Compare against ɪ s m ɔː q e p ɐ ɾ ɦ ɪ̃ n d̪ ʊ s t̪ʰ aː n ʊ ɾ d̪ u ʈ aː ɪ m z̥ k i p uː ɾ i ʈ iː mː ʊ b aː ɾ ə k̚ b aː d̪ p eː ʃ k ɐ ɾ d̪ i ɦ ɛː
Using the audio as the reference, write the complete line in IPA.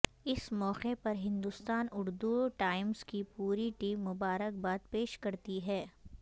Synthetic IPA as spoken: ɪ s m ɔː q e p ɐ ɾ ɦ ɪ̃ n d̪ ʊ s t̪ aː n ʊ ɾ d̪ u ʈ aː ɪ m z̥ k i p uː ɾ i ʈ iː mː ʊ b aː ɾ ə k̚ b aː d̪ p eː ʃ k ɐ ɾ t̪ i ɦ ɛː